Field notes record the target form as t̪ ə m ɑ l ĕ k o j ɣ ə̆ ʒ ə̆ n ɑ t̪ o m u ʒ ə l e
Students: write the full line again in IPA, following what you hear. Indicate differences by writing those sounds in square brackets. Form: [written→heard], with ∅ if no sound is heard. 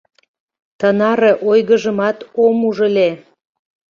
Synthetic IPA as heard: t̪ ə [m→n] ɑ [l→ɾ] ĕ [k→ʔ] o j ɣ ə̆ ʒ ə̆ [n→m] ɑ t̪ o m u ʒ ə l e